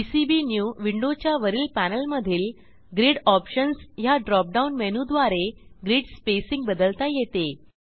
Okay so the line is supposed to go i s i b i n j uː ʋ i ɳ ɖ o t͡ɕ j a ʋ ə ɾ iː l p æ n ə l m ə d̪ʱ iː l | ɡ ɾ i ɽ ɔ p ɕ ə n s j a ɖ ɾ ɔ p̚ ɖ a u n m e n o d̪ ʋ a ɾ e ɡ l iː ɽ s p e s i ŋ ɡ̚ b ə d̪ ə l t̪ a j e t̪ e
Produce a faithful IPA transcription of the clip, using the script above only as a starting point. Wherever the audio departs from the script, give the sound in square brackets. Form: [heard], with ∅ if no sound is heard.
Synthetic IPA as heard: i s i b i n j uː ʋ i ɳ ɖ o t͡ɕ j a ʋ ə ɾ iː l p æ n ə l m ə d̪ʱ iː l | ɡ ɾ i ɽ ɔ p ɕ ə n s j a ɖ ɾ ɔ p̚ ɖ a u n m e n [u] d̪ ʋ a ɾ e ɡ [ɾ] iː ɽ s p e s i ŋ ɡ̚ b ə d̪ ə l t̪ a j e t̪ e